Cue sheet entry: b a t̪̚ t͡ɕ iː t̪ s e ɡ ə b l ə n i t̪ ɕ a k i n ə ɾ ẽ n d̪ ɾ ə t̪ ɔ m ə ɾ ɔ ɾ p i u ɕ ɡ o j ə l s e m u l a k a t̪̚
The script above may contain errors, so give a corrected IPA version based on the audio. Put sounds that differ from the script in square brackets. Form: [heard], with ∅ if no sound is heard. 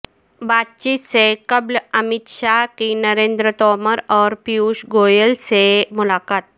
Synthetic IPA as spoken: b a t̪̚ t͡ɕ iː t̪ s e [k] ə b l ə [m] i t̪ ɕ a k i n ə ɾ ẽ n d̪ ɾ ə t̪ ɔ m ə ɾ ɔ ɾ p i u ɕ ɡ o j ə l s e m u l a k a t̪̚